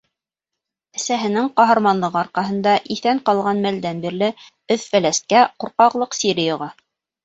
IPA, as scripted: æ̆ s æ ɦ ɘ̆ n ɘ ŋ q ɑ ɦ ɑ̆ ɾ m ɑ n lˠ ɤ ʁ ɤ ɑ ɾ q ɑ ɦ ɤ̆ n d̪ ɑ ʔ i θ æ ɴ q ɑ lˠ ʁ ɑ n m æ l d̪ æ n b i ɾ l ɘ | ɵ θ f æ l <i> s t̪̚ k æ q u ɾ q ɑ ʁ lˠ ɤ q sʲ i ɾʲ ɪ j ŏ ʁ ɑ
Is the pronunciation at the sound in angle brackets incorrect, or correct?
incorrect